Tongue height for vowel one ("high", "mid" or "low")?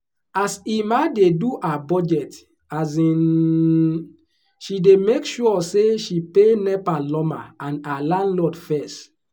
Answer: low